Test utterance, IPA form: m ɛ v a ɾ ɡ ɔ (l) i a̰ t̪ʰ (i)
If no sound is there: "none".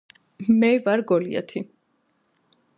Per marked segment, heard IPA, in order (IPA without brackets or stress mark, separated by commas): l, i